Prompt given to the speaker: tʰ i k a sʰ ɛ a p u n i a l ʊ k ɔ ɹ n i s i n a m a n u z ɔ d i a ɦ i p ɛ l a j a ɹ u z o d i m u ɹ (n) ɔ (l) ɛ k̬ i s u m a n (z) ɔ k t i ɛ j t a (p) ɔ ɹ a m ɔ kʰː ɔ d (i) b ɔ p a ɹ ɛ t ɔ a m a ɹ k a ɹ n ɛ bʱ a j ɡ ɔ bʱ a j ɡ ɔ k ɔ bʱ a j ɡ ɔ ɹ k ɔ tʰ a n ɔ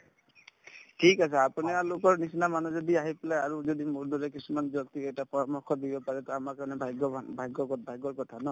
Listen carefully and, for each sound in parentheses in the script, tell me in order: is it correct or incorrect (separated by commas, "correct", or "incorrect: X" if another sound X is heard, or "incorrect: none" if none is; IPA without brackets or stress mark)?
incorrect: d, incorrect: ɹ, correct, correct, correct